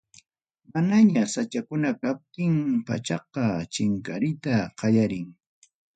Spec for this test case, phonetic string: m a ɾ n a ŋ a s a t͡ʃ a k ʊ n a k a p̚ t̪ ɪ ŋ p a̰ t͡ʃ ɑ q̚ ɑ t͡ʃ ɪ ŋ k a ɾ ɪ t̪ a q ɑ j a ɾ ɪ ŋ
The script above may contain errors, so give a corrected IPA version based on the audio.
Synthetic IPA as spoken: m a n a ɲ a s a t͡ʃ a k ʊ n a k a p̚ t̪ ɪ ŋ p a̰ t͡ʃ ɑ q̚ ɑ t͡ʃ ɪ ŋ k a ɾ ɪ t̪ a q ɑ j a ɾ ɪ ŋ